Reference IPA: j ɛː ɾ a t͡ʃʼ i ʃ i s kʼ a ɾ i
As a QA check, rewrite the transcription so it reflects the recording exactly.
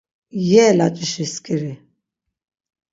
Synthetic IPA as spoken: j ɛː l a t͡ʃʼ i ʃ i s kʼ i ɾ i